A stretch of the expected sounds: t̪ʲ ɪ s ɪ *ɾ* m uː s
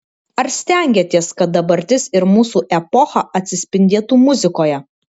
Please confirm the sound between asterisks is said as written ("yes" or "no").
yes